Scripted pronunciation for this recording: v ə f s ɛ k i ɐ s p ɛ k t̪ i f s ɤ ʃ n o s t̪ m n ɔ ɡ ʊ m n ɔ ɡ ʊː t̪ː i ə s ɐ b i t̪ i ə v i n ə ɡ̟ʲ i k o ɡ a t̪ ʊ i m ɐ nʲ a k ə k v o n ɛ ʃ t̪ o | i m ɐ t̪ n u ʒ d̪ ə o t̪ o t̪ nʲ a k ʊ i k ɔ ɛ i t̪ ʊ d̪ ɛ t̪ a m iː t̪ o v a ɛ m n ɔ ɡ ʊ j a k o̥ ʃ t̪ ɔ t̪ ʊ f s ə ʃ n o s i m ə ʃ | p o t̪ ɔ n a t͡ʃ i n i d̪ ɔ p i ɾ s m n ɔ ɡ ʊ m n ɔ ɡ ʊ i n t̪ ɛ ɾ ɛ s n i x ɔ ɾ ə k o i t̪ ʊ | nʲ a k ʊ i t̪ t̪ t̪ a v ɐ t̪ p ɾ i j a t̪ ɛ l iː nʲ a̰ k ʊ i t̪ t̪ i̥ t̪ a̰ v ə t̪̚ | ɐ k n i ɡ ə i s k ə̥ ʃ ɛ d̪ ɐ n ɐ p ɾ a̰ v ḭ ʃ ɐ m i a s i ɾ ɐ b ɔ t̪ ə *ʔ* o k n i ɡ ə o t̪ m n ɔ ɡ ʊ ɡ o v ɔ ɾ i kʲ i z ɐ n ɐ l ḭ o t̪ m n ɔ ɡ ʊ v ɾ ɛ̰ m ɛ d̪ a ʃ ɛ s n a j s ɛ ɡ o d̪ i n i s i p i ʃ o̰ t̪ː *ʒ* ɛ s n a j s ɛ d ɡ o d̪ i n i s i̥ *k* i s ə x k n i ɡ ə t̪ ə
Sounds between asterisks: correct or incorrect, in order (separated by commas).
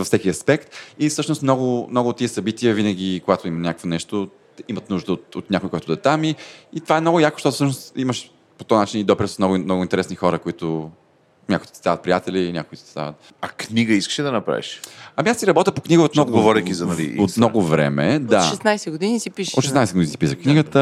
incorrect, incorrect, incorrect